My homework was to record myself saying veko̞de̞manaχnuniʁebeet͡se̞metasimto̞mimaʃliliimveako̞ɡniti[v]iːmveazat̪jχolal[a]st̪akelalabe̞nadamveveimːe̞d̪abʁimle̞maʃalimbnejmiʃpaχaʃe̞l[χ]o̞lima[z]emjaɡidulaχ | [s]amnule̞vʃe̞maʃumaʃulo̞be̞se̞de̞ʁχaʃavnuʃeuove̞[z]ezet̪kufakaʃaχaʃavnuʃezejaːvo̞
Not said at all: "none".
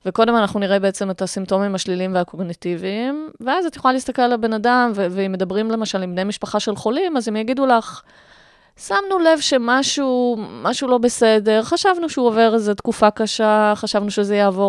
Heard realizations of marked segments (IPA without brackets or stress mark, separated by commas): v, i, χ, z, s, ʁ